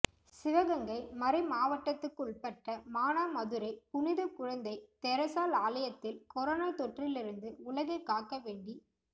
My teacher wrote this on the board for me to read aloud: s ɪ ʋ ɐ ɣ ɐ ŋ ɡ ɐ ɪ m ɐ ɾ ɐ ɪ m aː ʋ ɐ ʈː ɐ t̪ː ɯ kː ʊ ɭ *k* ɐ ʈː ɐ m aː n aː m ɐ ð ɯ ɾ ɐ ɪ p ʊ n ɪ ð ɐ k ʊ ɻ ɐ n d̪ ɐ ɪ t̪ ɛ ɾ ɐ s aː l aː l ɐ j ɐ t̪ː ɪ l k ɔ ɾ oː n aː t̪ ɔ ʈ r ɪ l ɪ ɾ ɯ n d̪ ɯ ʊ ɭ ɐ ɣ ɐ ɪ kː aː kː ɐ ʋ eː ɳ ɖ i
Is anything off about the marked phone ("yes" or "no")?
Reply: yes